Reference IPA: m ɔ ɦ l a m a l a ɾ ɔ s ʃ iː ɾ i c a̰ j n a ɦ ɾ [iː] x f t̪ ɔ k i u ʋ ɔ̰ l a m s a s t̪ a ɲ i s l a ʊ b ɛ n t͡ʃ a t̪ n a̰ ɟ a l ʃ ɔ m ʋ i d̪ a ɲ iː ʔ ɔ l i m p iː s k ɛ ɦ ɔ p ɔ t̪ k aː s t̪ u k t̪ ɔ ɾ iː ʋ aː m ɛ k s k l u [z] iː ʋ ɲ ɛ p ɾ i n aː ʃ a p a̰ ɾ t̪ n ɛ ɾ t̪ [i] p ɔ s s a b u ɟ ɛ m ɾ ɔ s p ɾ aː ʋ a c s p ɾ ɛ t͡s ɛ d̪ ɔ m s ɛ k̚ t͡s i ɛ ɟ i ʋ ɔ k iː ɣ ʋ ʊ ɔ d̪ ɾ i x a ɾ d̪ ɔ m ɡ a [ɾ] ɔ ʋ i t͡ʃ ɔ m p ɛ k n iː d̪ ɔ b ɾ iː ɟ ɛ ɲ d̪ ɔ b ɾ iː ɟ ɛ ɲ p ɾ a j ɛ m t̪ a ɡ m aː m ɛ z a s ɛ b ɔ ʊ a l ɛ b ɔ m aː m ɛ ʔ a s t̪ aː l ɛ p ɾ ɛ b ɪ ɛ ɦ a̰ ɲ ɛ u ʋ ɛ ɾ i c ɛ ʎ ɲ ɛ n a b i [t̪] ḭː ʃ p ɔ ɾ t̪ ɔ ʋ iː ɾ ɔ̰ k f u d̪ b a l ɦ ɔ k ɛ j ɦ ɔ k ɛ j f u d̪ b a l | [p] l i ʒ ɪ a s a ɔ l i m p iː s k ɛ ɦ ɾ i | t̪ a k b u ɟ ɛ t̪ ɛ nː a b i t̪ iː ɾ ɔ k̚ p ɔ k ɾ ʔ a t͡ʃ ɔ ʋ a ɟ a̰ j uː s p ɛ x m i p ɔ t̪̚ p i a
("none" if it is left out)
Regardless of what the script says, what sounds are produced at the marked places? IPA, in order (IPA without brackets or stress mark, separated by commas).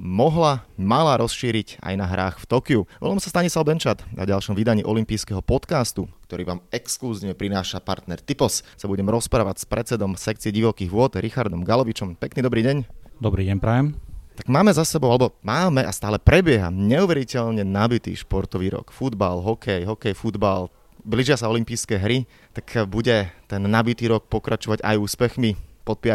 aː, z, i, l, t̪, b